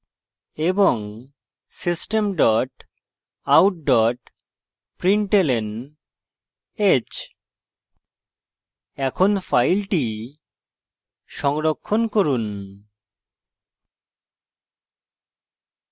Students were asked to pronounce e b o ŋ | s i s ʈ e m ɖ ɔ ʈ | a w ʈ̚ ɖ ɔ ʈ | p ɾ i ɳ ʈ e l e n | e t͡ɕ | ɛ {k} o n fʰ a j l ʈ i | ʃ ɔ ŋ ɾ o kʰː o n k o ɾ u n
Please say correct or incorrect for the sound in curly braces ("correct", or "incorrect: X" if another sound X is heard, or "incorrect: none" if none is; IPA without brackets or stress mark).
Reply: incorrect: kʰ